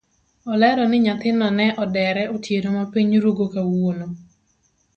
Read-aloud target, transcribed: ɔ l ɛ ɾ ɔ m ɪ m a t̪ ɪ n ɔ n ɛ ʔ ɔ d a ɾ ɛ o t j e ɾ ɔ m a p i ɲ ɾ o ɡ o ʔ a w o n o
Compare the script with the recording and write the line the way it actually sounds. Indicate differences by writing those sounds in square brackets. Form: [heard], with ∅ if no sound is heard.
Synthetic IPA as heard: ɔ l ɛ ɾ ɔ [n] ɪ [ɲ] a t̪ ɪ n ɔ n ɛ ʔ ɔ d [ɛ] ɾ ɛ o t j e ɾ [o] m a p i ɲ ɾ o ɡ o [k] a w o n o